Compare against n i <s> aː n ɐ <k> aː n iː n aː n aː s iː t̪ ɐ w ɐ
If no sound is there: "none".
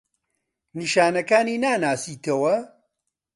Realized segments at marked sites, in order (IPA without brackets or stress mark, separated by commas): ʃ, k